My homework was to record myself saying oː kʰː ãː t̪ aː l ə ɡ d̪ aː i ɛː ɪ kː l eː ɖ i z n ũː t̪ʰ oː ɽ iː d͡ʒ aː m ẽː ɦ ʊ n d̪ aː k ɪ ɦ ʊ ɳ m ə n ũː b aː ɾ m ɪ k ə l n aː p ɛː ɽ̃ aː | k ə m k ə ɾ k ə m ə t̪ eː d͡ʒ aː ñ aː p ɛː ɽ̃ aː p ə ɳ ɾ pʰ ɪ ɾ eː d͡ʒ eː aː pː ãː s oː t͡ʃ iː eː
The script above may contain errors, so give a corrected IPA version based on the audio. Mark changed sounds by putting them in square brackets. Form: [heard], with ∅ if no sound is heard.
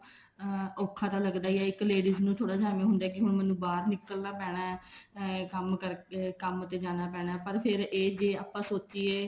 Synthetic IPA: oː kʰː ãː t̪ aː l ə ɡ d̪ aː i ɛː ɪ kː l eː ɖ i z n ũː t̪ʰ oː ɽ [aː] d͡ʒ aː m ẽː ɦ ʊ n d̪ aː k ɪ ɦ ʊ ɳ m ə n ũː b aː ɾ [n] ɪ k ə l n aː p ɛː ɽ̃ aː | k ə m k ə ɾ k ə m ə t̪ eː d͡ʒ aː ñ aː p ɛː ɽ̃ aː p ə [∅] ɾ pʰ ɪ ɾ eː d͡ʒ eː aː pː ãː s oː t͡ʃ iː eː